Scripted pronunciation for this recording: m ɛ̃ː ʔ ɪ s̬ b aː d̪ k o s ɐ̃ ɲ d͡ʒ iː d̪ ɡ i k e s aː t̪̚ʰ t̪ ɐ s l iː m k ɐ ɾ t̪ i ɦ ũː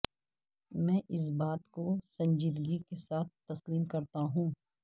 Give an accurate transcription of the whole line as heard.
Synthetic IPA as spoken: m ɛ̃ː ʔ ɪ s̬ b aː t̪ k o s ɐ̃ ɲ d͡ʒ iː d̪ ɡ i k e s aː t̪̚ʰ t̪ ɐ s l iː m k ɐ ɾ t̪ a ɦ ũː